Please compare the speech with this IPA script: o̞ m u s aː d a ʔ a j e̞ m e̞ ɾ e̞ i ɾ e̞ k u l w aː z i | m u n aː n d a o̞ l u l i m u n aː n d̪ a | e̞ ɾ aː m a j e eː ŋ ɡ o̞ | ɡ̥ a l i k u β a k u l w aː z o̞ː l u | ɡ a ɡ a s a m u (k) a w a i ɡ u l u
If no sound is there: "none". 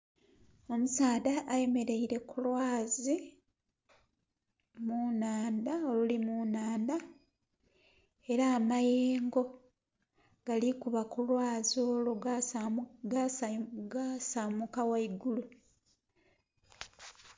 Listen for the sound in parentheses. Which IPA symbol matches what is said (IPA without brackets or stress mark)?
k